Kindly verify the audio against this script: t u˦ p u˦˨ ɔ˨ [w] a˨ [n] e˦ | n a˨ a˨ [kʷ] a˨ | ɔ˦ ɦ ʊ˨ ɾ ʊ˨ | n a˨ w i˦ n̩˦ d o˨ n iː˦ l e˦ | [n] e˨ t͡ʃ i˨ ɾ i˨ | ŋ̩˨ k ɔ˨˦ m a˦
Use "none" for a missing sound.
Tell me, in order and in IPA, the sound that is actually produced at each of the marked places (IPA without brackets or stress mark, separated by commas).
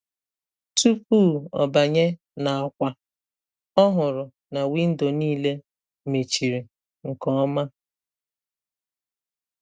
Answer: b, ɲ, kʷ, m